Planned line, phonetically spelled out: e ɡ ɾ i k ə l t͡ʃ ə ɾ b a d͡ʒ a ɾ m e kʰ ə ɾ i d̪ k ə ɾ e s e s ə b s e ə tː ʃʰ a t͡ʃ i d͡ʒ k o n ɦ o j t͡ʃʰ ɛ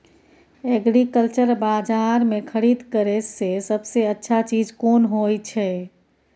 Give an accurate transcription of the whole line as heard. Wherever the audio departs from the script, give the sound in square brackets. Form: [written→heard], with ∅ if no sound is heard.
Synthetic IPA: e ɡ ɾ i k ə l t͡ʃ ə ɾ b a d͡ʒ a ɾ m e kʰ ə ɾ i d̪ k ə ɾ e s e s ə b s e ə tː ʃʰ a t͡ʃ i d͡ʒ k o n ɦ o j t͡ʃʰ ɛ